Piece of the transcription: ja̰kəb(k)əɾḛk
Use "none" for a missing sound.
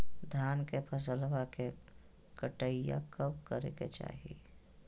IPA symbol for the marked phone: k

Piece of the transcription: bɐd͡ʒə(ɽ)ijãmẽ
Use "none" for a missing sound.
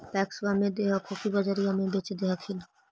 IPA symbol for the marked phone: ɾ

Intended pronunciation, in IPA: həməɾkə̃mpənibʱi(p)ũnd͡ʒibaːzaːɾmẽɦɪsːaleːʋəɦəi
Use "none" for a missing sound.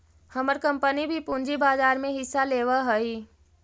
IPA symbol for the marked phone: p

